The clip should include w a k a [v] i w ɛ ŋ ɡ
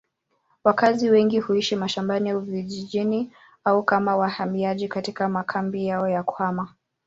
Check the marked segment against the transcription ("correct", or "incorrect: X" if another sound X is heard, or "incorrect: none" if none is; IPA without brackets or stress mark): incorrect: z